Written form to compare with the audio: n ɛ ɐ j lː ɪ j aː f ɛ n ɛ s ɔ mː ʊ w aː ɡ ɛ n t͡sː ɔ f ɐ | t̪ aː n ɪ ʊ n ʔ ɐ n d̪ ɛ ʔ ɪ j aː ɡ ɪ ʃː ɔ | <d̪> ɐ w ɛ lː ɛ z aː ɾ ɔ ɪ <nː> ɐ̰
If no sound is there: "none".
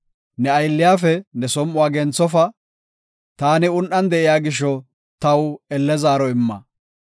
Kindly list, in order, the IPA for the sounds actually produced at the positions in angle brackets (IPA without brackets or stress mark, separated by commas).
t̪, mː